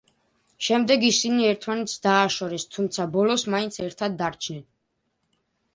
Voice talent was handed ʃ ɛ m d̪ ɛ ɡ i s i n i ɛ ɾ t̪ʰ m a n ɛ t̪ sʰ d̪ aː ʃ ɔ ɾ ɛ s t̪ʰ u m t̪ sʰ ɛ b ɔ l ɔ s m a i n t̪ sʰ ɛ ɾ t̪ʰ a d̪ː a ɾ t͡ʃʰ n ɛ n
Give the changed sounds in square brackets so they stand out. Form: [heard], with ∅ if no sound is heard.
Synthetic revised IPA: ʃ ɛ m d̪ ɛ ɡ i s i n i ɛ ɾ t̪ʰ m a n ɛ t̪ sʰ d̪ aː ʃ ɔ ɾ ɛ s t̪ʰ u m t̪ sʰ [a] b ɔ l ɔ s m a i n t̪ sʰ ɛ ɾ t̪ʰ a d̪ː a ɾ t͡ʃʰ n ɛ n